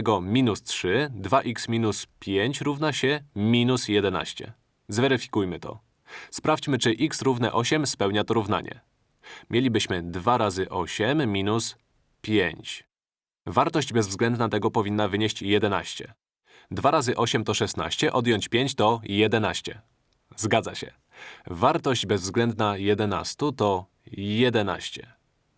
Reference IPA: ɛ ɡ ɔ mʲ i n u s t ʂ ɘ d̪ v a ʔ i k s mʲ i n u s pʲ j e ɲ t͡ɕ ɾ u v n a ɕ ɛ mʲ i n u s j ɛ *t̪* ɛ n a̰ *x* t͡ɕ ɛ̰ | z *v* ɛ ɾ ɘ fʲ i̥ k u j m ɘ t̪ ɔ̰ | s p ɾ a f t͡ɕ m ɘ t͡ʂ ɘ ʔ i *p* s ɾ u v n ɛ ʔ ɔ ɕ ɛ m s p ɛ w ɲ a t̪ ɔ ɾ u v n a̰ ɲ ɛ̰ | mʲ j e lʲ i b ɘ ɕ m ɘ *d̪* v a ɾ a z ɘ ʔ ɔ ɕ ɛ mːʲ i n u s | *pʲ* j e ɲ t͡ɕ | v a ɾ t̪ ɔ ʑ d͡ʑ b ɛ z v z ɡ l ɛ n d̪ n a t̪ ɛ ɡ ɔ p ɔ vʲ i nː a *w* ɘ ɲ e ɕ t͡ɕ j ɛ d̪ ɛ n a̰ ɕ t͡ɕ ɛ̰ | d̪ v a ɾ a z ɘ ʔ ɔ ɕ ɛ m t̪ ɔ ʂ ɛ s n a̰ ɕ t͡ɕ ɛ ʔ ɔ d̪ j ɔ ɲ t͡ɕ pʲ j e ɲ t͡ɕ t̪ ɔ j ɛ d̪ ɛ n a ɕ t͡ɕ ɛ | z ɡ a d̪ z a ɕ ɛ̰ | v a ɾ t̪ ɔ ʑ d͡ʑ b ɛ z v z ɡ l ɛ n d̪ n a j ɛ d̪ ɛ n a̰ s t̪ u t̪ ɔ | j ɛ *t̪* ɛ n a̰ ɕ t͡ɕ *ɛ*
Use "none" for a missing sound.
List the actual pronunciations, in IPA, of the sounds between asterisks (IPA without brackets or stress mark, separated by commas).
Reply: d̪, ɕ, v, k, d̪, pʲ, v, d̪, ɛ